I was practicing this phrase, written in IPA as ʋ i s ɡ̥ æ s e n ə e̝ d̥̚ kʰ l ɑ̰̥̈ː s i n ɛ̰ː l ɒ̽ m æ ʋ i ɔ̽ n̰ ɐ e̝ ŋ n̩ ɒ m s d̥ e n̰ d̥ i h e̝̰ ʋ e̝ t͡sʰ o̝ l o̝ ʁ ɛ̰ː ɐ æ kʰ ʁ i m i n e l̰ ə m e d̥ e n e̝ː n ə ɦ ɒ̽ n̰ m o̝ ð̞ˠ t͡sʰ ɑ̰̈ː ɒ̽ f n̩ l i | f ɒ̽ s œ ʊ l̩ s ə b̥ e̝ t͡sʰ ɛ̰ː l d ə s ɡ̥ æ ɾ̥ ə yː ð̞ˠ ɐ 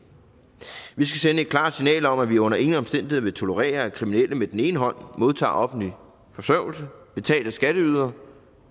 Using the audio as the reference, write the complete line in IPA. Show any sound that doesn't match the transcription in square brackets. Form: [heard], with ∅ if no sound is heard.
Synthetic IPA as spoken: ʋ i s ɡ̥ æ s e n ə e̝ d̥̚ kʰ l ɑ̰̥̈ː s i n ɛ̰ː l ɒ̽ m æ ʋ i ɔ̽ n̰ ɐ e̝ ŋ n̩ ɒ m s d̥ e n̰ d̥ i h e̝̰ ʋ e̝ t͡sʰ o̝ l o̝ ʁ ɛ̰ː ɐ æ kʰ ʁ i m i n e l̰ ə m e d̥ e n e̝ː n ə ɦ ɒ̽ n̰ m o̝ ð̞ˠ t͡sʰ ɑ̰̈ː ɒ̽ f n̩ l i | f ɒ̽ s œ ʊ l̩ s ə b̥ e̝ t͡sʰ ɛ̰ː l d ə s ɡ̥ æ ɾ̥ ə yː ð̞ˠ ɐ